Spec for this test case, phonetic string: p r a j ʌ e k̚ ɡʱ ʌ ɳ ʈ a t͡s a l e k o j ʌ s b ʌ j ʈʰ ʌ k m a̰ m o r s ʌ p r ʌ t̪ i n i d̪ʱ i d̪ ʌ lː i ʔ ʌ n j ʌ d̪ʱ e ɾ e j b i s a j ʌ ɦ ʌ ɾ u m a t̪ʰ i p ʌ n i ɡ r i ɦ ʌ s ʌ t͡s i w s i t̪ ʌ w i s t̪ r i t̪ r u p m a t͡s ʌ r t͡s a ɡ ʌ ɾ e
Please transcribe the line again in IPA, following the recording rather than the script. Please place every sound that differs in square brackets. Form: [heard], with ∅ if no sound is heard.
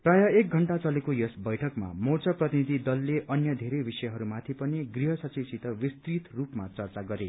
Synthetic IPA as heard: p r a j ʌ e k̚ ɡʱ ʌ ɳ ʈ a t͡s [ʌ] l e k o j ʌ s b ʌ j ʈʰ ʌ k m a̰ m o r [t͡s] ʌ p r ʌ t̪ i n i d̪ʱ i d̪ ʌ lː [e] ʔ ʌ n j ʌ d̪ʱ e ɾ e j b i s [ʌ] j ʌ ɦ ʌ ɾ u m a t̪ʰ i p ʌ n i ɡ r i ɦ ʌ s ʌ t͡s i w s i t̪ ʌ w i s t̪ r i t̪ r u p m a t͡s ʌ r t͡s a ɡ ʌ ɾ e